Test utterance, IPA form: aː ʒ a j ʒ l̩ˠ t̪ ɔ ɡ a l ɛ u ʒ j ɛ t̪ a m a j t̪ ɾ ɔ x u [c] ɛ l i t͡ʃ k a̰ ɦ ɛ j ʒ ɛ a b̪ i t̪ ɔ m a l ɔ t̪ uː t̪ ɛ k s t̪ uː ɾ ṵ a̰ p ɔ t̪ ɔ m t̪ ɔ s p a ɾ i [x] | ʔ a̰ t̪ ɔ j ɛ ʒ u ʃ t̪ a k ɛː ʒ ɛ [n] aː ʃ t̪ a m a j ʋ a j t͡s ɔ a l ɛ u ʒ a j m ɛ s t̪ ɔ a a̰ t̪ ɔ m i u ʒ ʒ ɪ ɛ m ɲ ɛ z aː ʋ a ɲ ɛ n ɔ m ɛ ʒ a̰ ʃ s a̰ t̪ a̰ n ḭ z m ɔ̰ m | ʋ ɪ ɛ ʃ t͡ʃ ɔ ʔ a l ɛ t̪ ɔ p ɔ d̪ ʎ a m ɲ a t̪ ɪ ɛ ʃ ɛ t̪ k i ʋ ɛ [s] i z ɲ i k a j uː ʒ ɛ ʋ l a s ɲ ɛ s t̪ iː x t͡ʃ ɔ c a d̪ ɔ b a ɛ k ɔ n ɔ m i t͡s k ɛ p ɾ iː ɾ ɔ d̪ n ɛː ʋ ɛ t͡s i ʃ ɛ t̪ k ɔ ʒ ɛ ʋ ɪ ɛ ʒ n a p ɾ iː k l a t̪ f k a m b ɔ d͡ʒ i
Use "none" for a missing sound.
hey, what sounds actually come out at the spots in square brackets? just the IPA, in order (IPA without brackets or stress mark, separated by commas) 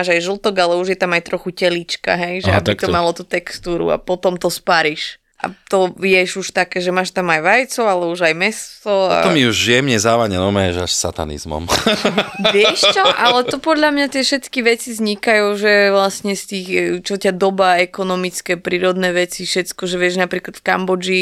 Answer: c, ʃ, m, t͡s